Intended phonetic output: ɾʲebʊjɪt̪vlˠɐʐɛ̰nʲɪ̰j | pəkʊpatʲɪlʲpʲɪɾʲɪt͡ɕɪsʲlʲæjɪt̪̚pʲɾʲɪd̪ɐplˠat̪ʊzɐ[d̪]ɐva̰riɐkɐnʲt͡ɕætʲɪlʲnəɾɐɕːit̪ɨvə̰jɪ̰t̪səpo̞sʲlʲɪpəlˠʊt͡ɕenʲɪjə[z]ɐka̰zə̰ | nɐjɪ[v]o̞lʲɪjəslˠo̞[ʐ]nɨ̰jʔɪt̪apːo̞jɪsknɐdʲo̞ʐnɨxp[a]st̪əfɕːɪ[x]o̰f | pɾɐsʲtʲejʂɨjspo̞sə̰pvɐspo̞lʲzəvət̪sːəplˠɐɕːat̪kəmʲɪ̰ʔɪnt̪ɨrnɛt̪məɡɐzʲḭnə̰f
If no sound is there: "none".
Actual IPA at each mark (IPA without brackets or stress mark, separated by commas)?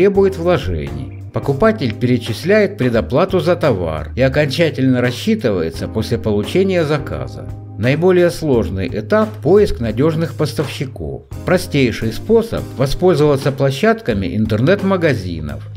t̪, z, b, ʐ, ə, k